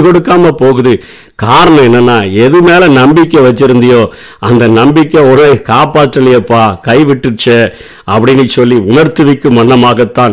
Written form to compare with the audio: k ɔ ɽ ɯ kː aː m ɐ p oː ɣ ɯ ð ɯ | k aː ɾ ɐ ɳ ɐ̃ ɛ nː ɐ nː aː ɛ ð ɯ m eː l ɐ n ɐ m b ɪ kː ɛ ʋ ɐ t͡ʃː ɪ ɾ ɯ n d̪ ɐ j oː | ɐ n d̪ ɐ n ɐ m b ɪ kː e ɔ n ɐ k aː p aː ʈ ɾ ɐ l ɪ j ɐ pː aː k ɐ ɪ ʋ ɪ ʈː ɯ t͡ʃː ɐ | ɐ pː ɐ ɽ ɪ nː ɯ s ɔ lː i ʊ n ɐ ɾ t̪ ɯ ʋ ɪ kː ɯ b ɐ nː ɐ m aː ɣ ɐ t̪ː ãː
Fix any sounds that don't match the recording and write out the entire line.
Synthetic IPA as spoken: k ɔ ɽ ɯ kː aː m ɐ p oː ɣ ɯ ð ɯ | k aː ɾ ɐ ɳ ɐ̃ ɛ nː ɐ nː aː ɛ ð ɯ m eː l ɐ n ɐ m b ɪ kː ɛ ʋ ɐ t͡ʃː ɪ ɾ ɯ n d̪ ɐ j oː | ɐ n d̪ ɐ n ɐ m b ɪ kː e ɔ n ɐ k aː p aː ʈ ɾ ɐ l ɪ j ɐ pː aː k ɐ ɪ ʋ ɪ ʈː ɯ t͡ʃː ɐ | ɐ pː ɐ ɽ ɪ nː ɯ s ɔ lː i ʊ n ɐ ɾ t̪ ɯ ʋ ɪ kː ɯ m ɐ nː ɐ m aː ɣ ɐ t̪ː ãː